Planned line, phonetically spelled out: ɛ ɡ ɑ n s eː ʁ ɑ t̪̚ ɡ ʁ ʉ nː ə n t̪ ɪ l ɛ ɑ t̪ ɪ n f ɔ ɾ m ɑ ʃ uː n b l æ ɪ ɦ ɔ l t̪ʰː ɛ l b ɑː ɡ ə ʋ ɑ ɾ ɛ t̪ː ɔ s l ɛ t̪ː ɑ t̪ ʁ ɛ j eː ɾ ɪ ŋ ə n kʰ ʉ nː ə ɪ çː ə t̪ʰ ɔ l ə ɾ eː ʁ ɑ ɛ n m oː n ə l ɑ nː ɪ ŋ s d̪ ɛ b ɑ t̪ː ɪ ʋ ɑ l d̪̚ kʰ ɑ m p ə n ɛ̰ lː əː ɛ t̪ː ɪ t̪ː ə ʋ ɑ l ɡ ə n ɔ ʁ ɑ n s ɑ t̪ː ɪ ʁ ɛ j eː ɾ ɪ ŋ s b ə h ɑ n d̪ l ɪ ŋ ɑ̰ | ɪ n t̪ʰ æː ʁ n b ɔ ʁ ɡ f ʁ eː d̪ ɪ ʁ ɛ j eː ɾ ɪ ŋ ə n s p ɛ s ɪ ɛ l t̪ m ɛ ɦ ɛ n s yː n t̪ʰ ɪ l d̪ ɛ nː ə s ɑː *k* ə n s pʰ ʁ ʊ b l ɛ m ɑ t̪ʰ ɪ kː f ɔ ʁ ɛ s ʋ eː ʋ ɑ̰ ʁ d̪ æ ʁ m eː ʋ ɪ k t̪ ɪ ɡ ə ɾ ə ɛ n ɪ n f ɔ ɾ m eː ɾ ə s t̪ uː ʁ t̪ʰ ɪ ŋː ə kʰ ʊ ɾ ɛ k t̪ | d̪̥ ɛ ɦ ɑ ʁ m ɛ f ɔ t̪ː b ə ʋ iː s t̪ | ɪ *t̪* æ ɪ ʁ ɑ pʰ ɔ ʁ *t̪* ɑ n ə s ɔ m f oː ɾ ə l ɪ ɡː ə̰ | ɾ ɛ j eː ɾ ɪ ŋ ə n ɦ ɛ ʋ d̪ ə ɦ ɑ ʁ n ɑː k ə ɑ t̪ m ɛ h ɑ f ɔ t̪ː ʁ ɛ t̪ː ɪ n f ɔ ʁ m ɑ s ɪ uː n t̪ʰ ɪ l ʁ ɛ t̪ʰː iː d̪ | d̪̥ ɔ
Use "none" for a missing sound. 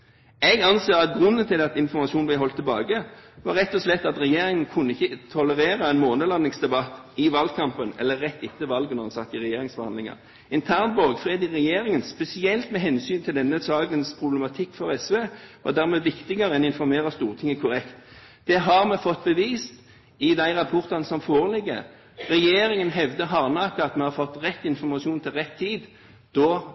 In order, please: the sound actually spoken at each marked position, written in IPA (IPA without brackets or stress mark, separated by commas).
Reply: ɡ, d̪, t̪